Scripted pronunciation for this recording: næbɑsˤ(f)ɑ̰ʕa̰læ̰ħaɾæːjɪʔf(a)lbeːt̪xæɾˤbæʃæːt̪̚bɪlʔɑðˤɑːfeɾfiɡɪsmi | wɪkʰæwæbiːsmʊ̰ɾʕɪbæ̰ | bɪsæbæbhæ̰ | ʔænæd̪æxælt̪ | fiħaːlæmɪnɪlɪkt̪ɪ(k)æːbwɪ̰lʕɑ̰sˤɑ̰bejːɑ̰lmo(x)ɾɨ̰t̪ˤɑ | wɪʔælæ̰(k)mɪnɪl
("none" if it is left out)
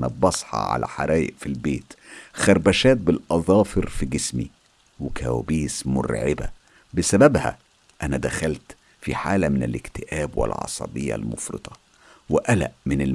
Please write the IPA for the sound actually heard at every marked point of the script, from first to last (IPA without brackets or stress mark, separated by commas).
ħ, i, ʔ, f, ʔ